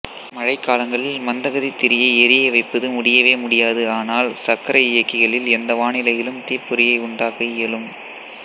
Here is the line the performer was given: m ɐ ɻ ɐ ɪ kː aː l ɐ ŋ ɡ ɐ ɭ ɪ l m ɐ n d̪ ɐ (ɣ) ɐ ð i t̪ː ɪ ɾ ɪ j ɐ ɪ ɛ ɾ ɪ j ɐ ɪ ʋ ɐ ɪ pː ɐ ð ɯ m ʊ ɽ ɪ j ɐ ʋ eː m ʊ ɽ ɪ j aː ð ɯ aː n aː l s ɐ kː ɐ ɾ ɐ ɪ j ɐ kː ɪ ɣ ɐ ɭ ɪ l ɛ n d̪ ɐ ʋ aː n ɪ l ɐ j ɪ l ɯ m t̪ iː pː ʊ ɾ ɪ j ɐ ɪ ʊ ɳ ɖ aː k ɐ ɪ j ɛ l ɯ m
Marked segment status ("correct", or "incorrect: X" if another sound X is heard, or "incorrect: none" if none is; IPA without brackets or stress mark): correct